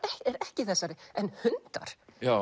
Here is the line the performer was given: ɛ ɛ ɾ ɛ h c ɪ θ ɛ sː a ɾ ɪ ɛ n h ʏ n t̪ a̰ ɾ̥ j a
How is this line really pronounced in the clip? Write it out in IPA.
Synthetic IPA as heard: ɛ ɛ ɾ ɛ h c ɪ θ ɛ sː a ɾ ɪ ɛ n h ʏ n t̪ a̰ ɾ̥ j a